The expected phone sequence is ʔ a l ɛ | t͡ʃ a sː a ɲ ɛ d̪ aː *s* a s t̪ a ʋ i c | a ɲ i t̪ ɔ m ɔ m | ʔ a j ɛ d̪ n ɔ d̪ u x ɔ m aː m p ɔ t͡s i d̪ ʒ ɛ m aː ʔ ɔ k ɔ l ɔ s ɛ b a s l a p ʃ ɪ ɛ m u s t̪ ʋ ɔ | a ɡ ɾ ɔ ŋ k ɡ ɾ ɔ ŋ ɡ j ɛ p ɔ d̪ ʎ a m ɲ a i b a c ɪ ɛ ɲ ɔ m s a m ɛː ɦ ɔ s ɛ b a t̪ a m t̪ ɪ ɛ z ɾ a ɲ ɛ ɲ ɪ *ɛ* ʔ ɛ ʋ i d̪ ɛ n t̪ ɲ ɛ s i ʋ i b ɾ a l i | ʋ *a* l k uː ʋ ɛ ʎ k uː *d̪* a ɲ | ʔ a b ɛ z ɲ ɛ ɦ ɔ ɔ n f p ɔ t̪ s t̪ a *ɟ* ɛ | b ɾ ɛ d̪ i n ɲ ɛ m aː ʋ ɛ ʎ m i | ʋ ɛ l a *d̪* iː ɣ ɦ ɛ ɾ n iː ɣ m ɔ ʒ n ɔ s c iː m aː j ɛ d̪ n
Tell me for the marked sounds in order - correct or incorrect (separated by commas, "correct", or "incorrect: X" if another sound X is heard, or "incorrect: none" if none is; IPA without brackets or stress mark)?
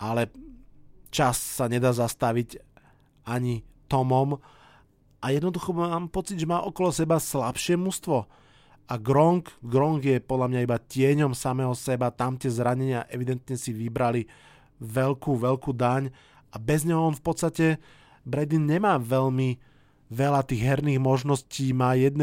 incorrect: z, incorrect: a, incorrect: ɛ, correct, incorrect: c, incorrect: t̪